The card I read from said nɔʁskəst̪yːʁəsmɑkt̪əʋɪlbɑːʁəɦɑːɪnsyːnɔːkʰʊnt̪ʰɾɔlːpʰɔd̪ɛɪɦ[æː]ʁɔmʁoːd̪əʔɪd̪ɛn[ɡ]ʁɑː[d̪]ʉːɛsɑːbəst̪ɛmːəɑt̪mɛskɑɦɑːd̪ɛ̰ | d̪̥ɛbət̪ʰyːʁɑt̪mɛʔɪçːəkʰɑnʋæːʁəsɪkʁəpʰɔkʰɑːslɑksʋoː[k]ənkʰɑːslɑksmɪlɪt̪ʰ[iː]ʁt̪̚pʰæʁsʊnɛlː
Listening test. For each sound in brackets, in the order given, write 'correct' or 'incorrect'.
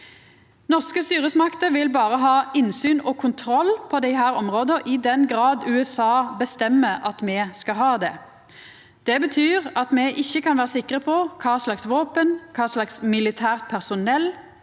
correct, correct, correct, incorrect: p, incorrect: æː

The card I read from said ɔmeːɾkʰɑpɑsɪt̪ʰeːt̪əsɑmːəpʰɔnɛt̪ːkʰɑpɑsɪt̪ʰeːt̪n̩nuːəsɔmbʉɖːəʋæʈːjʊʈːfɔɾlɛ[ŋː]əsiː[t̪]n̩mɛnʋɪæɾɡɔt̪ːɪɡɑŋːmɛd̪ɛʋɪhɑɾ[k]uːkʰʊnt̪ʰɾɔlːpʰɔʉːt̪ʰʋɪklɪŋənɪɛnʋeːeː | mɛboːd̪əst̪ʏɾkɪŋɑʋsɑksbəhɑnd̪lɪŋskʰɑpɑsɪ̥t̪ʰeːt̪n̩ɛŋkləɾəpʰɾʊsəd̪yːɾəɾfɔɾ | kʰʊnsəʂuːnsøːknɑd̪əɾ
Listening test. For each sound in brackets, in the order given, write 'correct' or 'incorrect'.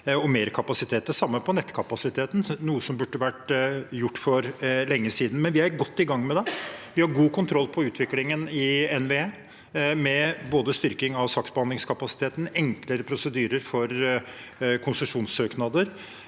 correct, incorrect: d̪, incorrect: ɡ

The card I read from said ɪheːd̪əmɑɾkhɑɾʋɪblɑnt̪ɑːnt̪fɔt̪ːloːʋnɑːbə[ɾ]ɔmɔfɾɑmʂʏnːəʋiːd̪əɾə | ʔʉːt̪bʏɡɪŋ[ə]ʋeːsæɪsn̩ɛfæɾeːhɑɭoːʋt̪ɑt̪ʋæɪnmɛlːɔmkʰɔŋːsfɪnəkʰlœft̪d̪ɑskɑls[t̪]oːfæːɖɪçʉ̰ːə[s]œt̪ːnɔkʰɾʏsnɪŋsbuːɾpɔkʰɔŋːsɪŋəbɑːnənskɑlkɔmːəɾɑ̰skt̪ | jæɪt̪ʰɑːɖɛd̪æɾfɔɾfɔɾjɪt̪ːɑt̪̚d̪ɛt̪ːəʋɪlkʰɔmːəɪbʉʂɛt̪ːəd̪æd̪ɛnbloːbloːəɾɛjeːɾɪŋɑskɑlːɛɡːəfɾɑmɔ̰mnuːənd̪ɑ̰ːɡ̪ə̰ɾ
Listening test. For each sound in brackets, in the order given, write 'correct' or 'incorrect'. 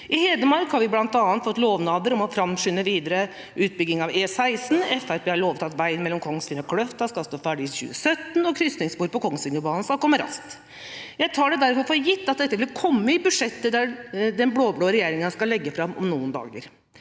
correct, incorrect: ɑ, correct, correct

